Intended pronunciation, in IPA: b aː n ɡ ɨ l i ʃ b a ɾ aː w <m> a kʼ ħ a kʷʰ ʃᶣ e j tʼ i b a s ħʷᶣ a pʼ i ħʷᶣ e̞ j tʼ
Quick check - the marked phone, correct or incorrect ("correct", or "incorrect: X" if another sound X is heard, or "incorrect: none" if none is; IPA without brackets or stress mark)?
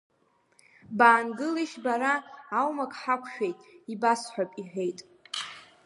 correct